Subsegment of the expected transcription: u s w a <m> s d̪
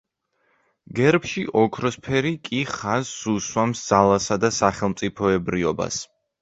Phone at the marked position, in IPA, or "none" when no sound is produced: m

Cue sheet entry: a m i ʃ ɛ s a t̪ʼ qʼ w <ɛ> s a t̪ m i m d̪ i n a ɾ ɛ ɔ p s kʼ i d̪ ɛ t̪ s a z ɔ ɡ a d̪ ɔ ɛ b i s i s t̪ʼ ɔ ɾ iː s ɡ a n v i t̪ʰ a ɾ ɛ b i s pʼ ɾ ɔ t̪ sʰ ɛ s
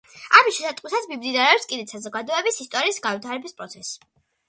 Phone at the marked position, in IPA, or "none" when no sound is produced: i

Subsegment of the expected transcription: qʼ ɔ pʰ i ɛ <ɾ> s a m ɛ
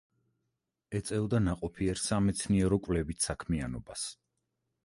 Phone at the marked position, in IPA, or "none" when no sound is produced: ɾ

